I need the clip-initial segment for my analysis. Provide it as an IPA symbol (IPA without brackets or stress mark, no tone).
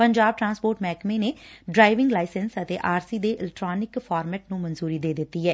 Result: p